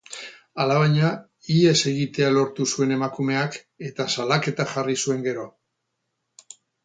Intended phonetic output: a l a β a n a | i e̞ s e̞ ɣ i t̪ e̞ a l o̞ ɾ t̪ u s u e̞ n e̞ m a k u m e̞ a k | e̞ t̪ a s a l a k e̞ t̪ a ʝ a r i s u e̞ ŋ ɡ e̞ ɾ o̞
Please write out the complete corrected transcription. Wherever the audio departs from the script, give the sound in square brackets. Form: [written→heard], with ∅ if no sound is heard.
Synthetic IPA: a l a β a [n→ɲ] a | i e̞ s e̞ ɣ i t̪ e̞ a l o̞ ɾ t̪ u s u e̞ n e̞ m a k u m e̞ a k | e̞ t̪ a s a l a k e̞ t̪ a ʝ a r i s u e̞ ŋ ɡ e̞ ɾ o̞